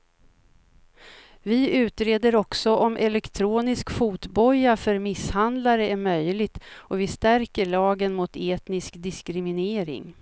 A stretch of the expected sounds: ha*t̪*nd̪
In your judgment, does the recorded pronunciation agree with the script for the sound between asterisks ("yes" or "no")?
no